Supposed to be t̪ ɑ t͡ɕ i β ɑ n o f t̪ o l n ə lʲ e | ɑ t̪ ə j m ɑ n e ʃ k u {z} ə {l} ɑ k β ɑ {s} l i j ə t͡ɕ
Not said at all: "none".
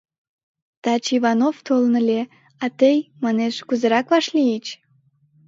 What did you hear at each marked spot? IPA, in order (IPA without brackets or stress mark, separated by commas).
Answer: z, ɾ, ʃ